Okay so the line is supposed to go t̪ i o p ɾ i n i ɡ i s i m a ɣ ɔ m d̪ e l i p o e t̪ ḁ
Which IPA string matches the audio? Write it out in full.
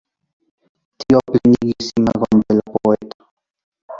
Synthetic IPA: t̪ i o p l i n i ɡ i s i m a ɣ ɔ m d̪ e l a p o e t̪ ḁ

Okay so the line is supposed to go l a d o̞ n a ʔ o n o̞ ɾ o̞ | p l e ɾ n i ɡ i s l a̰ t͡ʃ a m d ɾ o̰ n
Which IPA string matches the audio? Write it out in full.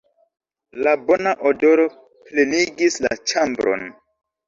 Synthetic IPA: l a b o̞ n a ʔ o d o̞ ɾ o̞ | p l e n i ɡ i s l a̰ t͡ʃ a m b ɾ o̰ n

